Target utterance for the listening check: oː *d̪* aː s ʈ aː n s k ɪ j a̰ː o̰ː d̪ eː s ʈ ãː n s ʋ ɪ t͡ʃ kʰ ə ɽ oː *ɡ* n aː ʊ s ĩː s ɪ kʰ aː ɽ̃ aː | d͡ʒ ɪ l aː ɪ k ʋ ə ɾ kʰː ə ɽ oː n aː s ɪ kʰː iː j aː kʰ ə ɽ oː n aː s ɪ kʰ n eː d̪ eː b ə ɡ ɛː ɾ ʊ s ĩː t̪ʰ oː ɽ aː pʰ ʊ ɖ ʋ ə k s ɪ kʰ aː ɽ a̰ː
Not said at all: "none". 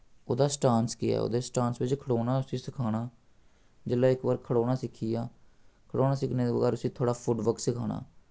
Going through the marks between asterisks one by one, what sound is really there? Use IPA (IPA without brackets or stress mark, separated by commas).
d̪, none